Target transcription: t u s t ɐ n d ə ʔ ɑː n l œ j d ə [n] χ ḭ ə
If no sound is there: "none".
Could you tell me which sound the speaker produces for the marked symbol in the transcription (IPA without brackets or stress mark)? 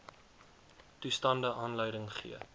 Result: ŋ